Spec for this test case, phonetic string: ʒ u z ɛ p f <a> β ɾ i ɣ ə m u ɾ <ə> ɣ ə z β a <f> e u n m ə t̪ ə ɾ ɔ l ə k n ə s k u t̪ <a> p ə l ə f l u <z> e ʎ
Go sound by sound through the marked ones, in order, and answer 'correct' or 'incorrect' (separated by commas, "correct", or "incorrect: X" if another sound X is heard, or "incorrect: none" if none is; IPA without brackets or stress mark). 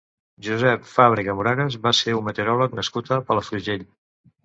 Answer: correct, incorrect: a, incorrect: s, incorrect: ə, incorrect: ʒ